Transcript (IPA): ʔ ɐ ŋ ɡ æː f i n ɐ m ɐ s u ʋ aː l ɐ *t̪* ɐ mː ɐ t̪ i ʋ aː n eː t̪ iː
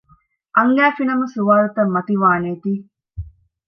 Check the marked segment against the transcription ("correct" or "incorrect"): correct